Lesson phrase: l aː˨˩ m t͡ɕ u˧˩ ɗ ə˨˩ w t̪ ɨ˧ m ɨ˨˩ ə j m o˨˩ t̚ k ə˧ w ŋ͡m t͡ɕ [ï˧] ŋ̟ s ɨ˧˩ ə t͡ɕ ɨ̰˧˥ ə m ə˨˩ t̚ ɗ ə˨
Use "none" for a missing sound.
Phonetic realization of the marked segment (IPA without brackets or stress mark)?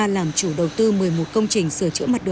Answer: ï˨˩